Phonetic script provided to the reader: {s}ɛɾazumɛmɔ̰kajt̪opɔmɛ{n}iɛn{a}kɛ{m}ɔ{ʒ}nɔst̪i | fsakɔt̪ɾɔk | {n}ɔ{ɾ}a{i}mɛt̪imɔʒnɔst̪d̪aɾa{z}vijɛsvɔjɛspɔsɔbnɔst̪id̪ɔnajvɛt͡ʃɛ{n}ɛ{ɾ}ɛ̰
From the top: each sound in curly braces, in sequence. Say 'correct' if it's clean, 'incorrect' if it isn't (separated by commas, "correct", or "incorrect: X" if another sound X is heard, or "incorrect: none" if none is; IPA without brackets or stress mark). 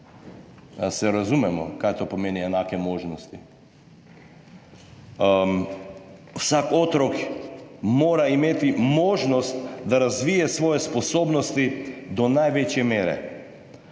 correct, correct, correct, correct, correct, incorrect: m, correct, correct, correct, incorrect: m, correct